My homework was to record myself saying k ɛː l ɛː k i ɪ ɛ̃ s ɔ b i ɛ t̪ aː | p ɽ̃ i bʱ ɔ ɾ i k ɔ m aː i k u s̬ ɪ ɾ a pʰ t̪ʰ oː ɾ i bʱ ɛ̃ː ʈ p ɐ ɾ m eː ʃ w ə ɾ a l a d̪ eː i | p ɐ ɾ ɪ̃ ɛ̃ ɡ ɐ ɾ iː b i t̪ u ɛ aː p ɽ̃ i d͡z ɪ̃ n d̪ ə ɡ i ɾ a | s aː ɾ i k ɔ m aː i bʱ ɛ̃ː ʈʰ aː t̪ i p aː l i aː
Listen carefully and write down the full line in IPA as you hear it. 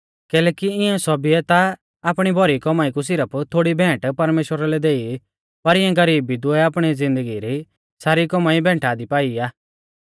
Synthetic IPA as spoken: k ɛː l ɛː k i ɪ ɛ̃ s ɔ b i ɛ t̪ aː | p ɽ̃ i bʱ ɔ ɾ i k ɔ m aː i k u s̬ ɪ ɾ ə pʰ t̪ʰ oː ɽ i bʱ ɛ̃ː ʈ p ɐ ɾ m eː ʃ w ə ɾ a l ɛ d̪ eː i | p ɐ ɾ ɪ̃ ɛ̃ ɡ ɐ ɾ iː b i d̪ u ɛ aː p ɽ̃ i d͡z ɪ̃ n d̪ ə ɡ i ɾ i | s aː ɾ i k ɔ m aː i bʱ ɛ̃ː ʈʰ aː d̪ i p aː i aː